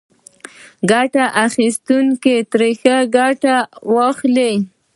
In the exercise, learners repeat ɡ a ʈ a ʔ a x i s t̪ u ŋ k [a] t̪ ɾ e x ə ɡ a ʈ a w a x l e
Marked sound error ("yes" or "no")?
yes